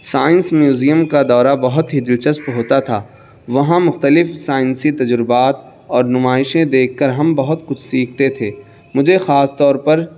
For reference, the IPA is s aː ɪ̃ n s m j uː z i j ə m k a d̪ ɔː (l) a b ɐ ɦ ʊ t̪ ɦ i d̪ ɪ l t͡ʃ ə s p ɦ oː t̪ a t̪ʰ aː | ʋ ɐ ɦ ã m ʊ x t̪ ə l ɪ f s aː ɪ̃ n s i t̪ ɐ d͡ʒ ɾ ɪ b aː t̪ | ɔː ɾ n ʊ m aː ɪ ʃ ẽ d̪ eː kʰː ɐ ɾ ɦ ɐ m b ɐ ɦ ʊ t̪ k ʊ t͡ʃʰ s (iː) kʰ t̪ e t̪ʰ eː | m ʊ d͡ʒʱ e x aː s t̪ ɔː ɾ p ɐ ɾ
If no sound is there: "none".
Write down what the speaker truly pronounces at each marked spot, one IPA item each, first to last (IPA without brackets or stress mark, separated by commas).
ɾ, iː